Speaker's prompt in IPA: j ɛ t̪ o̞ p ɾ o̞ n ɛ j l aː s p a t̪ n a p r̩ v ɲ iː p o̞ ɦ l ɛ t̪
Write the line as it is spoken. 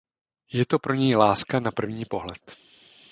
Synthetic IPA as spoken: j ɛ t̪ o̞ p ɾ o̞ ɲ ɛ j l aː s k a n a p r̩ v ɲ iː p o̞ ɦ l ɛ t̪